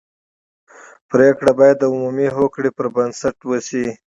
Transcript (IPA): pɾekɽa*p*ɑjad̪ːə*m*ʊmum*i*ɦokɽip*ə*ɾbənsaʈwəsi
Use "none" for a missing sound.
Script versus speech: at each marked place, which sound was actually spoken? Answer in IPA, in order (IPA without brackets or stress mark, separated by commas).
b, none, i, ə